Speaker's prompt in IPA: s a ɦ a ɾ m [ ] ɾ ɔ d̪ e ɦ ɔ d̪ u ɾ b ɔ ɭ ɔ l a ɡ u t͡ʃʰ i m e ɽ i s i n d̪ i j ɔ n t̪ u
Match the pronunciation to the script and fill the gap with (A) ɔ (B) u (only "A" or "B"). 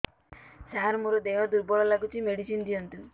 B